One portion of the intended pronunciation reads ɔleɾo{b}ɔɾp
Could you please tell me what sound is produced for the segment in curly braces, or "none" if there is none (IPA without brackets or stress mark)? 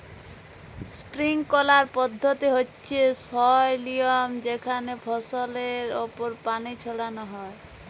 p